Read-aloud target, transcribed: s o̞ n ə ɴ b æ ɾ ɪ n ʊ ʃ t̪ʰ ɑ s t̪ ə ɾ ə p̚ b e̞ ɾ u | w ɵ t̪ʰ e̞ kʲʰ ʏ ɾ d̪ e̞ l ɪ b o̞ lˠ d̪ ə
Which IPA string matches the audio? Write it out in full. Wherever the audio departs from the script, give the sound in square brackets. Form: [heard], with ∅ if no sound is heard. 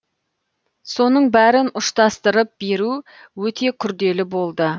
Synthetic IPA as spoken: s o̞ n ə ɴ b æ ɾ ɪ n ʊ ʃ [t̪] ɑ s t̪ ə ɾ ə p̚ b e̞ ɾ u | w ɵ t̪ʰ e̞ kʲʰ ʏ ɾ d̪ e̞ l ɪ b o̞ lˠ d̪ ə